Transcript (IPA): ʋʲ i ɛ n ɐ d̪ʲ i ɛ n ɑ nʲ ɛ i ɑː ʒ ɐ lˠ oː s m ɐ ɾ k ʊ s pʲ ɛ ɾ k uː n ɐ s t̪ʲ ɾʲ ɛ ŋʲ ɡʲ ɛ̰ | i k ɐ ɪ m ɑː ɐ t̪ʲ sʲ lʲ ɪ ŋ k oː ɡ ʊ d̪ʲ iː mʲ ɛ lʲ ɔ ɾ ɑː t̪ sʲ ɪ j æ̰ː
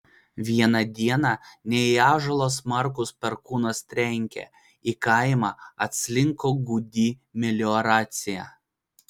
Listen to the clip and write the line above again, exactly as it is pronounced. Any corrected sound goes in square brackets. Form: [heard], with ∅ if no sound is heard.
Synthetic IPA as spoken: ʋʲ i ɛ n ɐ d̪ʲ i ɛ n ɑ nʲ ɛ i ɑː ʒ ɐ lˠ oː s m ɐ ɾ k ʊ s pʲ ɛ ɾ k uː n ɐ s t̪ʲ ɾʲ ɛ ŋʲ [kʲ] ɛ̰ | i k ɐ ɪ m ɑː ɐ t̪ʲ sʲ lʲ ɪ ŋ k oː ɡ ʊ d̪ʲ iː mʲ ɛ lʲ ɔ ɾ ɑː t̪ sʲ ɪ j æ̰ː